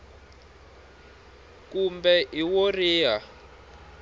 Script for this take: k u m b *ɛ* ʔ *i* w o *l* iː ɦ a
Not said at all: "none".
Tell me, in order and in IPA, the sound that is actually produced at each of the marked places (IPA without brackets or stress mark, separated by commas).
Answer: ɛ, i, r